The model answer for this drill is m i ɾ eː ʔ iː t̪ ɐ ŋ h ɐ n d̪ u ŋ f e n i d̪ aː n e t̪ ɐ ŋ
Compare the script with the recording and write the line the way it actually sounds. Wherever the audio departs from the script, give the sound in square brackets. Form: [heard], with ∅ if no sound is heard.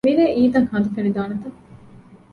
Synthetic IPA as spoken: m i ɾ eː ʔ iː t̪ ɐ ŋ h ɐ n d̪ u [∅] f e n i d̪ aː n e t̪ ɐ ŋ